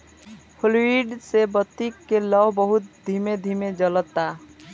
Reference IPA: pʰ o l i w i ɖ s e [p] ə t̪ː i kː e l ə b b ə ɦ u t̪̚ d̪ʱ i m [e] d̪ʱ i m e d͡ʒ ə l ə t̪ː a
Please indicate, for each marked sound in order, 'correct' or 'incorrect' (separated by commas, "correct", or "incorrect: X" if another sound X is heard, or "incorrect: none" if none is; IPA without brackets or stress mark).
incorrect: b, correct